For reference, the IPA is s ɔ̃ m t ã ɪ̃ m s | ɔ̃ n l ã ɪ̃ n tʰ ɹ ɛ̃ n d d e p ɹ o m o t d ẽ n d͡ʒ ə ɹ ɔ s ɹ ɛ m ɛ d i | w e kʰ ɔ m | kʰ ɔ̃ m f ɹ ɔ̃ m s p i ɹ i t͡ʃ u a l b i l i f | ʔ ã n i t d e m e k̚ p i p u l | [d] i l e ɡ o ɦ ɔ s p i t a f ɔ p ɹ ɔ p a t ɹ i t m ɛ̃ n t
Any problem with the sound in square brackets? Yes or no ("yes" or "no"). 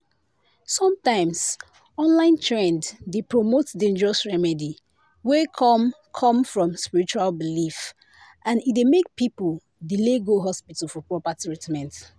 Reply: no